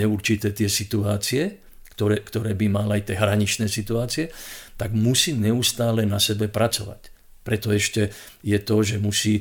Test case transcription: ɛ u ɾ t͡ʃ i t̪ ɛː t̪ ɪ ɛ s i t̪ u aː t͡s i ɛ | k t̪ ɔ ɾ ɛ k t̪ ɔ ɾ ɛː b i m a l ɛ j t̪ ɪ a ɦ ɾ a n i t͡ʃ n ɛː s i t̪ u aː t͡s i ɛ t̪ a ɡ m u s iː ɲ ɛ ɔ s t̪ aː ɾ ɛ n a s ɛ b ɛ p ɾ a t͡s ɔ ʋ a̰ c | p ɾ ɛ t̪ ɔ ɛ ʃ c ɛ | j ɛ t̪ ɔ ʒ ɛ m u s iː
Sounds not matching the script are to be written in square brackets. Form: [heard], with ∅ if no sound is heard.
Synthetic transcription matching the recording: ɛ u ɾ t͡ʃ i t̪ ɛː t̪ ɪ ɛ s i t̪ u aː t͡s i ɛ | k t̪ ɔ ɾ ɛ k t̪ ɔ ɾ ɛː b i m a l [a] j t̪ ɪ [ɛ] ɦ ɾ a [ɲ] i t͡ʃ n ɛː s i t̪ u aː t͡s i ɛ t̪ a ɡ m u s iː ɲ ɛ [u] s t̪ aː [l] ɛ n a s ɛ b ɛ p ɾ a t͡s ɔ ʋ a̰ c | p ɾ ɛ t̪ ɔ ɛ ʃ c ɛ | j ɛ t̪ ɔ ʒ ɛ m u s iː